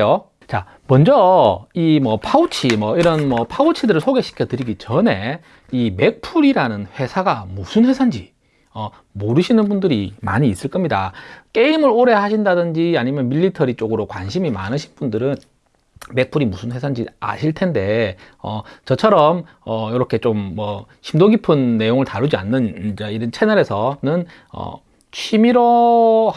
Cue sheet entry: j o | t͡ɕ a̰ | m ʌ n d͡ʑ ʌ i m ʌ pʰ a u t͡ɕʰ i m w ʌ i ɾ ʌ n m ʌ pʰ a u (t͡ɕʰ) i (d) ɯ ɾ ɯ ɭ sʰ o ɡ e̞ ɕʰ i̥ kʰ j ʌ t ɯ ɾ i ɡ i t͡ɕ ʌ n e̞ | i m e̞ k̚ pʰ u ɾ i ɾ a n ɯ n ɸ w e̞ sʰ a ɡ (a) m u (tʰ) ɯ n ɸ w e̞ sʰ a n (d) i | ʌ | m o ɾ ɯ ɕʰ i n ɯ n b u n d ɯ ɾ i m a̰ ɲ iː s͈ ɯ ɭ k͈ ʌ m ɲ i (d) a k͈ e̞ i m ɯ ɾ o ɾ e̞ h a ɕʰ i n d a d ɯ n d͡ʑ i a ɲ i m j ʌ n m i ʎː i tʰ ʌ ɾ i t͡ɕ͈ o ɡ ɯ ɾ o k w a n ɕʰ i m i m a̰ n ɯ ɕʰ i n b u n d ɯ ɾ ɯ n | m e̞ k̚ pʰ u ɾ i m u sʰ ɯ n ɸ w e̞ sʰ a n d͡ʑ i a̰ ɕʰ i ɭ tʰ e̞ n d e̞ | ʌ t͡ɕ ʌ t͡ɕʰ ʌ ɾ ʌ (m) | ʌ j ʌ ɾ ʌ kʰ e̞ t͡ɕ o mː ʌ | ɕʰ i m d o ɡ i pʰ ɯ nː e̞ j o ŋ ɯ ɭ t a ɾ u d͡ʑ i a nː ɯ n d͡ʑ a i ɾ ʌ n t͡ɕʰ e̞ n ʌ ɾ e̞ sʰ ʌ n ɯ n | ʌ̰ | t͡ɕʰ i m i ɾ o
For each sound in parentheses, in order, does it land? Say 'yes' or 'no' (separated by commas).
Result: yes, yes, yes, no, no, yes, yes